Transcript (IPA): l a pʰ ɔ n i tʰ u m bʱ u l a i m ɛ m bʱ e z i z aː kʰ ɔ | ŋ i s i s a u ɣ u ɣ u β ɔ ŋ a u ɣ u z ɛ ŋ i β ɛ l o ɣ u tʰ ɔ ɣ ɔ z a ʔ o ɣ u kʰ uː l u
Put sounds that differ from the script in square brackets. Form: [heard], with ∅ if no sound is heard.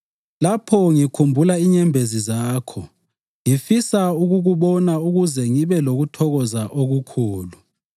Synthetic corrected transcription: l a pʰ ɔ [ŋ] i [kʰ] u m bʱ u l a i [ɲ] ɛ m bʱ e z i z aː kʰ ɔ | ŋ i [f] i s a u ɣ u ɣ u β ɔ [n] a u ɣ u z ɛ ŋ i β ɛ l o ɣ u tʰ ɔ ɣ ɔ z a ʔ o ɣ u kʰ uː l u